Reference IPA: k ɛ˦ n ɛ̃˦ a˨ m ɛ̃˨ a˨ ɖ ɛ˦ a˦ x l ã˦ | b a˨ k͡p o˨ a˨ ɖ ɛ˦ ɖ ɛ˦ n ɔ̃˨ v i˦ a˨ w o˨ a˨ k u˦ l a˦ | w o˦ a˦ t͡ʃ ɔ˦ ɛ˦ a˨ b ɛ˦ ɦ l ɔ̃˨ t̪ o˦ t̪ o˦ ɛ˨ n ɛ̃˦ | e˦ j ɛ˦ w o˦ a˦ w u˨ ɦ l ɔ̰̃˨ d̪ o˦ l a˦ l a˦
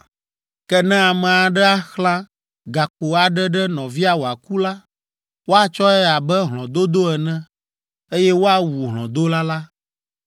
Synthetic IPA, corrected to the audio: k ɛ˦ n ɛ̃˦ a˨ m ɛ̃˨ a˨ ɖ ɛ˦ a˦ x l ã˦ | ɡ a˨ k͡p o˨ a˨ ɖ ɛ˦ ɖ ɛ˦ n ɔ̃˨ v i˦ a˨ w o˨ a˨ k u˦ l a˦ | w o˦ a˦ t͡ʃ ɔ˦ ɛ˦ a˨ b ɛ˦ ɦ l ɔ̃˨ d̪ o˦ d̪ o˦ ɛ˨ n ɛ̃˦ | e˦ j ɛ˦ w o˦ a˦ w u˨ ɦ l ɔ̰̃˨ d̪ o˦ l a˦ l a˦